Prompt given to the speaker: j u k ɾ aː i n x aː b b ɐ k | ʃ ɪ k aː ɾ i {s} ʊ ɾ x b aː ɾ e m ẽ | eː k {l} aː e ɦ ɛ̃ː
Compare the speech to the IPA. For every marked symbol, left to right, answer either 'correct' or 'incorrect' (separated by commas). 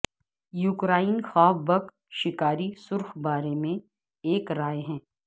correct, incorrect